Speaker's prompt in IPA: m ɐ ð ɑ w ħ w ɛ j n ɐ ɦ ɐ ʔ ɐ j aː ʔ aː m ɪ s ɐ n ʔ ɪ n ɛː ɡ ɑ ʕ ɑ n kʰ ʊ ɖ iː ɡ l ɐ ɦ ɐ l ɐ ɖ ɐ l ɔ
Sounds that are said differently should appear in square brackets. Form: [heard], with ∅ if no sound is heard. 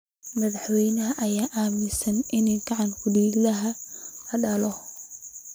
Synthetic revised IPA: m ɐ ð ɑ [∅] ħ w ɛ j n ɐ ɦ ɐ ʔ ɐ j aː ʔ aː m ɪ s ɐ n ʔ ɪ n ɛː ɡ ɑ ʕ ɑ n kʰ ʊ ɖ iː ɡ l ɐ ɦ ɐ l ɐ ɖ ɐ l ɔ